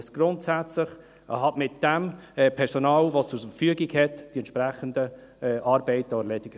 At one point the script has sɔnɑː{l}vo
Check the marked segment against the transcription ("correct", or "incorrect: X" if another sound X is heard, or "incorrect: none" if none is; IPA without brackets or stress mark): correct